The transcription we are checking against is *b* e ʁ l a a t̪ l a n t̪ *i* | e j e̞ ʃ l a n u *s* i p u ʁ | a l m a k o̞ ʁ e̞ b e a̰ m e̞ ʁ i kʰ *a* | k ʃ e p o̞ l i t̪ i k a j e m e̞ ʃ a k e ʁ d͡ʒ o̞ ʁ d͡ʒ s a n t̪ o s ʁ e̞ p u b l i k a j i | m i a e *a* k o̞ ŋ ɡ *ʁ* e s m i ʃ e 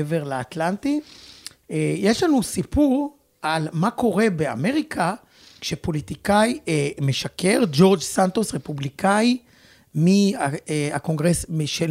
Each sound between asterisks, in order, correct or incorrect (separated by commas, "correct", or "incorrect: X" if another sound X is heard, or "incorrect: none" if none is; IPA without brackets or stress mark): incorrect: v, correct, correct, correct, correct, correct